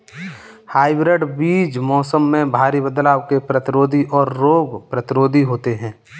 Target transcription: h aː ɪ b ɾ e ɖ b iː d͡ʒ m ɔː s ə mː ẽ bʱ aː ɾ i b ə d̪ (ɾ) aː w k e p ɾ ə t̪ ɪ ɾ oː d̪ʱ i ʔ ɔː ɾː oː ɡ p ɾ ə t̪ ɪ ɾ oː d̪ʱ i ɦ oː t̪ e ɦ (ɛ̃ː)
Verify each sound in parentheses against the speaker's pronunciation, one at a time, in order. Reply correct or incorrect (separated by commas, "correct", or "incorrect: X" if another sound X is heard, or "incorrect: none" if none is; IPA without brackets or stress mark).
incorrect: l, correct